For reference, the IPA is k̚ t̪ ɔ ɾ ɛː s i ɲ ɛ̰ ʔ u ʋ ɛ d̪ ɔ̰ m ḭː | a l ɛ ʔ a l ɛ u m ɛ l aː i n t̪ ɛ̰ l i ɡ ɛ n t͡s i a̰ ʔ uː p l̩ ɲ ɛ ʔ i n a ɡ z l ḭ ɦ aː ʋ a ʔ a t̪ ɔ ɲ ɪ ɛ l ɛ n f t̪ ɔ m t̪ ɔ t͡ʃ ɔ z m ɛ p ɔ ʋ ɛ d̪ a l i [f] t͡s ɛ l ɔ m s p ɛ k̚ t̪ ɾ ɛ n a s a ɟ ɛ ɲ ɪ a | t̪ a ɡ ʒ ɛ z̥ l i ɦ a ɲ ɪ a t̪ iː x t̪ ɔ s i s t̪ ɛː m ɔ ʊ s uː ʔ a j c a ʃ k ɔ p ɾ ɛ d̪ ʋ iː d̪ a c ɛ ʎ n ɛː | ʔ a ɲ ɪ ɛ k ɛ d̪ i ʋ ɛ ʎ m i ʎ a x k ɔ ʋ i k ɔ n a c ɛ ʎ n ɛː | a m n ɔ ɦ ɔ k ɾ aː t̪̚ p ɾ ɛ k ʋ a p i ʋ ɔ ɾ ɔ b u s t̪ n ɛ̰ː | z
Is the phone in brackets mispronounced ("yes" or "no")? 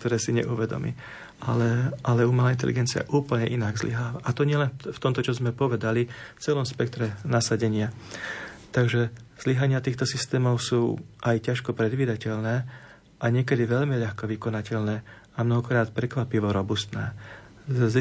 no